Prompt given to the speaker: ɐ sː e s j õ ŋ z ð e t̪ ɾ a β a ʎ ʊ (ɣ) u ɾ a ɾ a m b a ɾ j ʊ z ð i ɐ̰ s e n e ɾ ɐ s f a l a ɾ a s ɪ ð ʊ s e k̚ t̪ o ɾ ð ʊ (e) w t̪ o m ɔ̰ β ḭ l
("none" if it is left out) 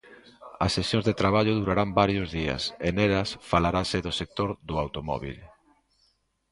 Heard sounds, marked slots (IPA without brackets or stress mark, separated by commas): ð, a